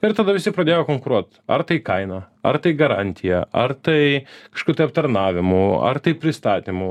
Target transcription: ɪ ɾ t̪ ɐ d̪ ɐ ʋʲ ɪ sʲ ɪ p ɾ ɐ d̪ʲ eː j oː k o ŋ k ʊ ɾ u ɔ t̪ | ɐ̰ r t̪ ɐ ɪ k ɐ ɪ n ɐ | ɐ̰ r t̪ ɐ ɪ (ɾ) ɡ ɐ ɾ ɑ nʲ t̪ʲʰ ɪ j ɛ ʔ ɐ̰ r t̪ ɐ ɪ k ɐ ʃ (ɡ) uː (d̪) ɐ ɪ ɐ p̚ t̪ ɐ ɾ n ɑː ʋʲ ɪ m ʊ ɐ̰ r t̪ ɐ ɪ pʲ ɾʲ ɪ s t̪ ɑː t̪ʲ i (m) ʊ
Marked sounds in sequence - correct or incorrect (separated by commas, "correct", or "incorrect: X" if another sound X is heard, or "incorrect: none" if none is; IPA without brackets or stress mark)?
incorrect: none, incorrect: k, incorrect: t̪, correct